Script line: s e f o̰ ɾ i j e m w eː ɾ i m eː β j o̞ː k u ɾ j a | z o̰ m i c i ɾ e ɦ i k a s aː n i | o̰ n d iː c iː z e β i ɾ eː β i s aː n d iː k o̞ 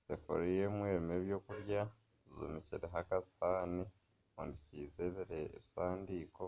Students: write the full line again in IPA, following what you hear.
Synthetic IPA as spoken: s e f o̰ ɾ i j e m w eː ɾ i m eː β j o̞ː k u ɾ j a | z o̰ m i c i ɾ e ɦ a k a s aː n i | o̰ n d i c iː z e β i ɾ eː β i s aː n d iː k o̞